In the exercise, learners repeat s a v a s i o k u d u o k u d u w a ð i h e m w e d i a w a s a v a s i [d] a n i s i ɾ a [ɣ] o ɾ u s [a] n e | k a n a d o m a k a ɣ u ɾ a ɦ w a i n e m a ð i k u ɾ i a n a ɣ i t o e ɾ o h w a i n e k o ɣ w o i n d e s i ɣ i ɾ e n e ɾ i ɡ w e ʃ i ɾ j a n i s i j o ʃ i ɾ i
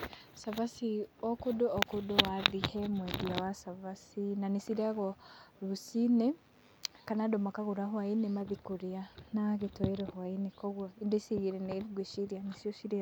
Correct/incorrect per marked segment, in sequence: incorrect: n, correct, incorrect: i

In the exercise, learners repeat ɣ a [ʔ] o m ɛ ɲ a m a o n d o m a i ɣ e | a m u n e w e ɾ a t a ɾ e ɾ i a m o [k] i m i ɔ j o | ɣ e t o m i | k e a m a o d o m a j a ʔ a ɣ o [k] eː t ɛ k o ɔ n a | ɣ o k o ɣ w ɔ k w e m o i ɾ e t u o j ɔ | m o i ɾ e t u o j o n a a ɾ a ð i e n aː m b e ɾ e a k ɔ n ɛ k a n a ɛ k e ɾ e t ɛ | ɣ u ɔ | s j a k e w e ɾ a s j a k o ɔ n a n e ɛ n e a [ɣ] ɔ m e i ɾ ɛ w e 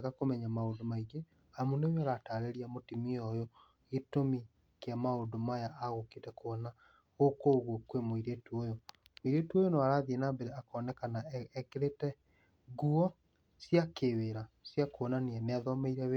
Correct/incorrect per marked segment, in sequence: incorrect: k, incorrect: t, correct, incorrect: ð

